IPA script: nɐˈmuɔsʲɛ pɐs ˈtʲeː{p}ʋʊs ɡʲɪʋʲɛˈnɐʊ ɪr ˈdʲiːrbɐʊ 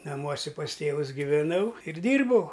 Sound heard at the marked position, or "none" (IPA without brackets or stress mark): none